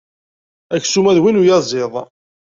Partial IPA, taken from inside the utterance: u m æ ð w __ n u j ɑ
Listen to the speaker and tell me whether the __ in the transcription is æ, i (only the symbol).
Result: i